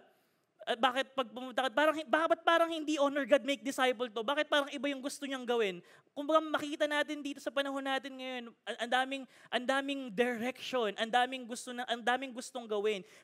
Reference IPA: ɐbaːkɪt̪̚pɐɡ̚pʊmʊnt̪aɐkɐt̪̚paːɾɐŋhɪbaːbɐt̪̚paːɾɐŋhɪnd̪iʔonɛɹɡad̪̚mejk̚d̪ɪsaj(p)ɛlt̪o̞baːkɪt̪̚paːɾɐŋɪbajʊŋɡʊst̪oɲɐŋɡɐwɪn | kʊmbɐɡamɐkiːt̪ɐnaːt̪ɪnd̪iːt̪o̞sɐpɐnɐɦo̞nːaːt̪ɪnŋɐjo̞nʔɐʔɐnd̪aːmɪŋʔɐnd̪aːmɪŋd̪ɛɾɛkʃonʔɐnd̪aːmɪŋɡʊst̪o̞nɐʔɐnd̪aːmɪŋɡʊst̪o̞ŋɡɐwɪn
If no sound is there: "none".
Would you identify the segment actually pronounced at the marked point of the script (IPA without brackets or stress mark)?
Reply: p